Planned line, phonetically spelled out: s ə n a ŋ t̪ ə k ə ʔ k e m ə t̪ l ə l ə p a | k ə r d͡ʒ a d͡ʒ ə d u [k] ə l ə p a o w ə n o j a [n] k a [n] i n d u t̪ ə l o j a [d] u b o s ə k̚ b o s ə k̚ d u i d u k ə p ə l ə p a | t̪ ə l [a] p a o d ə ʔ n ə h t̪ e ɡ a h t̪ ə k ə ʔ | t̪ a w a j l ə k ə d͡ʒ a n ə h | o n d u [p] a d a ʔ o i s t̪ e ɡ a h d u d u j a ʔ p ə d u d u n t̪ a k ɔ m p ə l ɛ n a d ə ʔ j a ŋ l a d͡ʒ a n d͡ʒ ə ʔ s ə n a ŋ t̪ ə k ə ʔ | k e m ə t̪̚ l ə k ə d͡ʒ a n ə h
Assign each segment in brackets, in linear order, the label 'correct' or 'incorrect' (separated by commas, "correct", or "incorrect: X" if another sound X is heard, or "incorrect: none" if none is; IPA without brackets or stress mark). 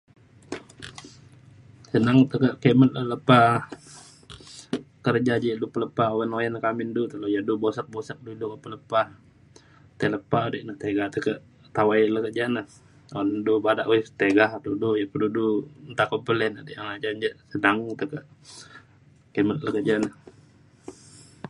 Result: incorrect: p, correct, incorrect: m, correct, incorrect: ə, incorrect: b